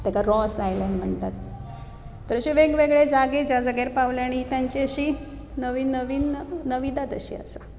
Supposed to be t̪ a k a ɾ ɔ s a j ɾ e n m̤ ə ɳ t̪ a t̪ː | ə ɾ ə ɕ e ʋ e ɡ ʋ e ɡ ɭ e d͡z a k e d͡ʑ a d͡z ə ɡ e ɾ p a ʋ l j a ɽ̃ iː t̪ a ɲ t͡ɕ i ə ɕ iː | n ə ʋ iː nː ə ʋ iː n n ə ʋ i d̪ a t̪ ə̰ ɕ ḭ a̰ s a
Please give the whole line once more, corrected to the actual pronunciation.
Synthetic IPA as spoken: t̪ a k a ɾ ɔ s a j l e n m̤ ə ɳ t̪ a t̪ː | ə ɾ ə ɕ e ʋ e ɡ ʋ e ɡ ɭ e d͡z a ɡ e d͡ʑ a d͡z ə ɡ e ɾ p a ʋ l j a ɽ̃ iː t̪ a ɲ t͡ɕ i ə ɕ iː | n ə ʋ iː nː ə ʋ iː n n ə ʋ i d̪ a t̪ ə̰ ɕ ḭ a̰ s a